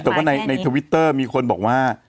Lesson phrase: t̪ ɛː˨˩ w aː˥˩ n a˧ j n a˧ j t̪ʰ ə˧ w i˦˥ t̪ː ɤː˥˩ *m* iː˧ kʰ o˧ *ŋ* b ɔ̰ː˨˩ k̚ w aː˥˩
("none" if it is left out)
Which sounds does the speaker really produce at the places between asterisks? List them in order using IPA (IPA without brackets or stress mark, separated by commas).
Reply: m, n